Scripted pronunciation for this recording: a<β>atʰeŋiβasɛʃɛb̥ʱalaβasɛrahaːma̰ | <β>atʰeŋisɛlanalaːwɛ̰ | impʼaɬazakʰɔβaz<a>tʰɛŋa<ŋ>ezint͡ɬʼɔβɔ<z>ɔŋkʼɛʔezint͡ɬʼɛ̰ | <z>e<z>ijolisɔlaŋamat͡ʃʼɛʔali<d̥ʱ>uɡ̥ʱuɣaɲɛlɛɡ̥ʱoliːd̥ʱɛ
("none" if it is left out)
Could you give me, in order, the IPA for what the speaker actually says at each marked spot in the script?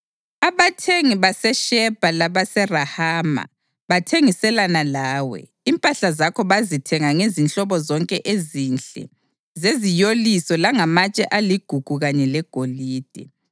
β, β, i, ŋ, z, z, z, ɡ̥ʱ

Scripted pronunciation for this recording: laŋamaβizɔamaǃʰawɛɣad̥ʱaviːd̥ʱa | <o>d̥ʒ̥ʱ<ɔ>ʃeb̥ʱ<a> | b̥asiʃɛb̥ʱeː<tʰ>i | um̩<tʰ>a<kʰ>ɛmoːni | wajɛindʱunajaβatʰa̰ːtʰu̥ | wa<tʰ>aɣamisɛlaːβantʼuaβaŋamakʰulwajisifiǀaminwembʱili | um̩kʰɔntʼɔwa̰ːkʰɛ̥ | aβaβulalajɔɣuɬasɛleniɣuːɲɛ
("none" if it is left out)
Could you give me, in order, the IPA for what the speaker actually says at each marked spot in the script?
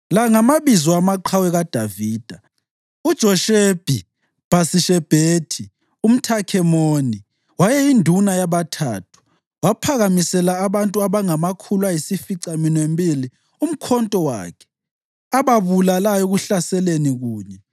u, ɔ, i, tʰ, tʰ, kʰ, pʰ

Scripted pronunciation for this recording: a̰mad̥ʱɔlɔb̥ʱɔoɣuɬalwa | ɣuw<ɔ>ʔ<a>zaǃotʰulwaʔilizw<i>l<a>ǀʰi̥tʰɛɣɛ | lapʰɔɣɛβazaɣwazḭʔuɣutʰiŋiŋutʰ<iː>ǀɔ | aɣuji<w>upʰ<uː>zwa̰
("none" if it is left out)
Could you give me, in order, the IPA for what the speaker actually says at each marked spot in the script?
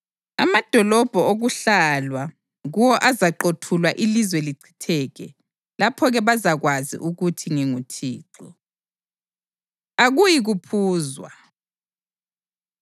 ɔ, a, ɛ, i, iː, ɣ, uː

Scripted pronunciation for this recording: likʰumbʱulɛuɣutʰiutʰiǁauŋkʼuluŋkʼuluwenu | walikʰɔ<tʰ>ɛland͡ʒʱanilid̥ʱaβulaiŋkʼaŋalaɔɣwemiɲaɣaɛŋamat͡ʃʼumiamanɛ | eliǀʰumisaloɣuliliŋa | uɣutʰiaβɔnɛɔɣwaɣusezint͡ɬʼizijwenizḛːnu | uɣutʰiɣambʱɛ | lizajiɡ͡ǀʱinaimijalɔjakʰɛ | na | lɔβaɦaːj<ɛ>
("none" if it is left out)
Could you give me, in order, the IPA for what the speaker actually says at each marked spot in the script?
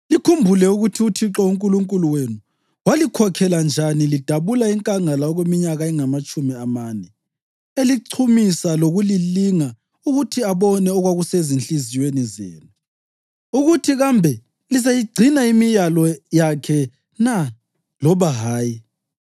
kʰ, i

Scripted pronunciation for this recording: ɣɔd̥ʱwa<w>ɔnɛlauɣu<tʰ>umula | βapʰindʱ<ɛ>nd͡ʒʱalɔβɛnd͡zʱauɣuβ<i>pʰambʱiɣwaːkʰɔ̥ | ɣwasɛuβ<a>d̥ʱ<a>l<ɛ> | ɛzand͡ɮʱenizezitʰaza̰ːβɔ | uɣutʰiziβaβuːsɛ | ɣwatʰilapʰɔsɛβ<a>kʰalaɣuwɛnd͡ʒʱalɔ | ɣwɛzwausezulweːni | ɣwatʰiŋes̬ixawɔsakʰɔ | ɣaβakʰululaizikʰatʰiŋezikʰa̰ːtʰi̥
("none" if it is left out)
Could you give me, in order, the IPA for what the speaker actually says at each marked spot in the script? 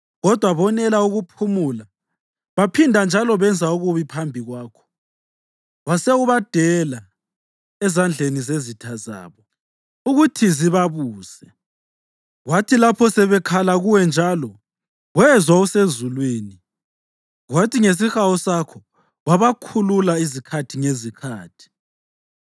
β, pʰ, a, i, a, ɛ, a, ɛ

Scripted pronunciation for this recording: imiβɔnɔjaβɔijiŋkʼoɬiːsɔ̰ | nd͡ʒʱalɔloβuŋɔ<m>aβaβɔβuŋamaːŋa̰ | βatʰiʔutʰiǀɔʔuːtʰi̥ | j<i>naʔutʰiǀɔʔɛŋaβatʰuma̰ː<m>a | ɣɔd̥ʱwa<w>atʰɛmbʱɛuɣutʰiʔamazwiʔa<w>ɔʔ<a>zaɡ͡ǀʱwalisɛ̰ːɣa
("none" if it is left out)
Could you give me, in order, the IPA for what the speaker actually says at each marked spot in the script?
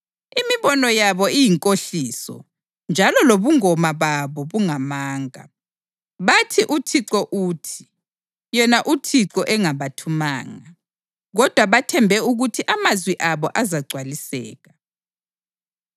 m, ɛ, ŋ, β, β, a

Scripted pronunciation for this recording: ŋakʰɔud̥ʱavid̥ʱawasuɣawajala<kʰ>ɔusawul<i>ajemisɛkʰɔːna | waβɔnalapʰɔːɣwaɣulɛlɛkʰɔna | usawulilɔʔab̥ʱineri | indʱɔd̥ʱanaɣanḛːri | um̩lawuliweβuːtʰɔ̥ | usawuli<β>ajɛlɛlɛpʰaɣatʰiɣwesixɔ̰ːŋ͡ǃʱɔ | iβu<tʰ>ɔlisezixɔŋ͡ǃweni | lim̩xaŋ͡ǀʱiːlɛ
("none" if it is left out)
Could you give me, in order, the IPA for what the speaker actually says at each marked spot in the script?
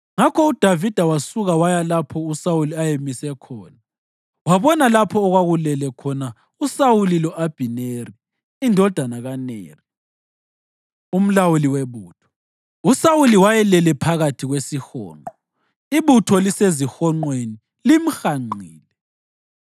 pʰ, i, w, tʰ

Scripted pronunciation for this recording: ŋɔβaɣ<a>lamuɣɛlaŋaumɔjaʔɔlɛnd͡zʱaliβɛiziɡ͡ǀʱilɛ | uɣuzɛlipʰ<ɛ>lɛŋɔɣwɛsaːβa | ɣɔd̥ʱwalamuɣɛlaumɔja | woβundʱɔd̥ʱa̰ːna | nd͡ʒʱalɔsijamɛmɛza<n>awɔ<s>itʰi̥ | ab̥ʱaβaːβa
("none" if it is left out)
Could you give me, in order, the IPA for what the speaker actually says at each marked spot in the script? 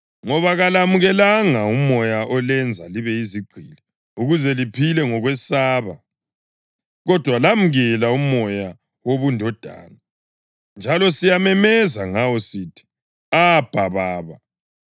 a, i, ŋ, s

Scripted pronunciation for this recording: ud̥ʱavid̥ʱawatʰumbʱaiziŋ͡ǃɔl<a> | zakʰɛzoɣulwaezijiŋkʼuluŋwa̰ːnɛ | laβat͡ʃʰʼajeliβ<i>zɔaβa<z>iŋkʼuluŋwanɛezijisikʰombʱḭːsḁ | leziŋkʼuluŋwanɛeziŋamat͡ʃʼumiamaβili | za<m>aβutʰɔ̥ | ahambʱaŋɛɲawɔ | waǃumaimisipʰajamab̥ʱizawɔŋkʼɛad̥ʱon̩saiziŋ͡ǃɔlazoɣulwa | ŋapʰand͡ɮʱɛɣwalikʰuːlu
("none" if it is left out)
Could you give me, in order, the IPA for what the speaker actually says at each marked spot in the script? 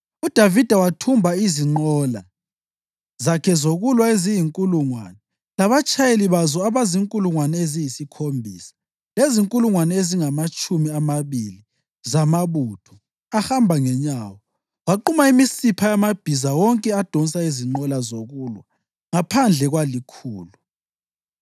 a, a, z, m

